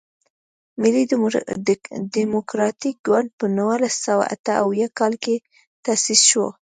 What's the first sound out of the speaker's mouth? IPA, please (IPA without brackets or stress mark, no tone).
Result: m